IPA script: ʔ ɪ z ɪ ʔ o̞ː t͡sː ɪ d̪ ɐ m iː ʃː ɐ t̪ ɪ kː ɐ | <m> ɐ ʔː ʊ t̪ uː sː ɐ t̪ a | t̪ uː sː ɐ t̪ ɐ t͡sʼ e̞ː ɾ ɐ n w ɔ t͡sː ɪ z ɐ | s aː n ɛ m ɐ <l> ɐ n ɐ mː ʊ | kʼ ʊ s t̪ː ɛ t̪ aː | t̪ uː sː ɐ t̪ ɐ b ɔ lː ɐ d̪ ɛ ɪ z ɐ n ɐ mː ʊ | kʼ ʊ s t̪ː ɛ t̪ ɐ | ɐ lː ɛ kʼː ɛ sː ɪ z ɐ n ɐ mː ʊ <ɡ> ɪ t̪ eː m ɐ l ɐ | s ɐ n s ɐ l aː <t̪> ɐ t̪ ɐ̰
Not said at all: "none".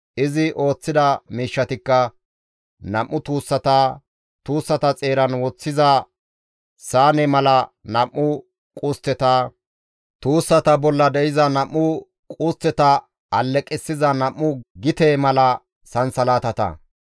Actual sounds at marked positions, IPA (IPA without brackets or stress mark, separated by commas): n, l, ɡ, t̪